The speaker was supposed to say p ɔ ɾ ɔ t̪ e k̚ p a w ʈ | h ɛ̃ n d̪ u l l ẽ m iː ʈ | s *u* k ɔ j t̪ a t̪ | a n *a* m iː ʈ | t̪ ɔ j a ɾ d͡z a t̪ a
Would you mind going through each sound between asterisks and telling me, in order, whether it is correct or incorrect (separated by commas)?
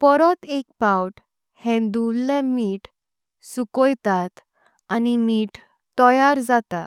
correct, incorrect